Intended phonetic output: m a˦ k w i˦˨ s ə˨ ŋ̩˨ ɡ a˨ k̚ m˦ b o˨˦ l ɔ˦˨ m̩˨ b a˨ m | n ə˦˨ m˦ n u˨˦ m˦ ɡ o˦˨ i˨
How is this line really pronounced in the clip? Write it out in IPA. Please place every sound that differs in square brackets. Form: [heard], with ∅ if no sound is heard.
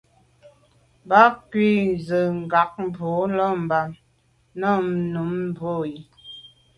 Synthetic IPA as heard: [b] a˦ k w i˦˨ [z] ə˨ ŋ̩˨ ɡ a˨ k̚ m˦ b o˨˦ l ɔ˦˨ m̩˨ b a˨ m | n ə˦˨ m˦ n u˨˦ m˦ [b] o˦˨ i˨